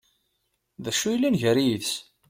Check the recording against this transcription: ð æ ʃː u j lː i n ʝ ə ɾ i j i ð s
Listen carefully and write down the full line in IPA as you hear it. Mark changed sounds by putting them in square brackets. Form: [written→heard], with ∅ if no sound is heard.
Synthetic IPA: ð æ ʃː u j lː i n ʝ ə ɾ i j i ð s